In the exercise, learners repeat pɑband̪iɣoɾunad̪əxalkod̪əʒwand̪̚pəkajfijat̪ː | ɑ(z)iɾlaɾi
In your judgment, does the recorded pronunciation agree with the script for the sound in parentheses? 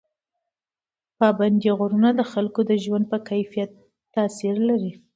no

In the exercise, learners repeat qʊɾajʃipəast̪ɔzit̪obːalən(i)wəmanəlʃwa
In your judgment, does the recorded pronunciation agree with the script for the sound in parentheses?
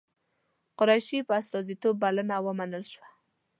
no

